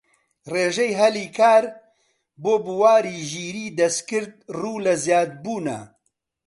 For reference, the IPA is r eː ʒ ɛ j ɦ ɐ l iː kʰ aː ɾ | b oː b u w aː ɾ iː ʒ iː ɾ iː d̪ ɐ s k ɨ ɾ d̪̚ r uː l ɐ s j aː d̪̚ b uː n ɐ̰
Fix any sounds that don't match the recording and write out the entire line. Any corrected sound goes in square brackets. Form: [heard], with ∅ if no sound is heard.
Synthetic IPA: r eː ʒ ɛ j ɦ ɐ l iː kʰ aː ɾ | b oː b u w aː ɾ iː ʒ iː ɾ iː d̪ ɐ s k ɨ ɾ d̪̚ r uː l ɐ [z] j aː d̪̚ b uː n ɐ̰